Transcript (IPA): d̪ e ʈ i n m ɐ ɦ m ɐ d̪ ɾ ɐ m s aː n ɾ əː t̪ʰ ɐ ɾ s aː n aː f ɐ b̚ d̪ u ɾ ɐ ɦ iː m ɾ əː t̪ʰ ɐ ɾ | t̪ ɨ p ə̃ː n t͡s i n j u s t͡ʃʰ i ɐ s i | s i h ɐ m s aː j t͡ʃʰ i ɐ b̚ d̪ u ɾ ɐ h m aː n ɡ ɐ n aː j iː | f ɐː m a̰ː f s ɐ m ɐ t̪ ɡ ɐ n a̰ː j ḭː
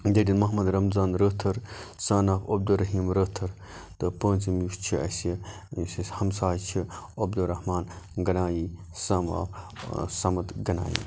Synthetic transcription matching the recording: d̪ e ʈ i n m ɐ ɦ m ɐ d̪ ɾ ɐ m z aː n ɾ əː t̪ʰ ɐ ɾ s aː n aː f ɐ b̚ d̪ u ɾ ɐ ɦ iː m ɾ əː t̪ʰ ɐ ɾ | t̪ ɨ p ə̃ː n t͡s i m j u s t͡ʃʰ i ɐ s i | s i h ɐ m s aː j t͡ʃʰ i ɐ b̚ d̪ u ɾ ɐ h m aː n ɡ ɐ n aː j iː | s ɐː m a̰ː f s ɐ m ɐ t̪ ɡ ɐ n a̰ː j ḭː